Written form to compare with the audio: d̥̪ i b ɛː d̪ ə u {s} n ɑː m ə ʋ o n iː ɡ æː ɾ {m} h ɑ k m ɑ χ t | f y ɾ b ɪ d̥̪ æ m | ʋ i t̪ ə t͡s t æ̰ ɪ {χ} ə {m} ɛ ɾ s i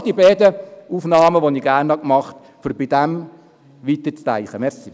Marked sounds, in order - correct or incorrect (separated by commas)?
incorrect, incorrect, correct, correct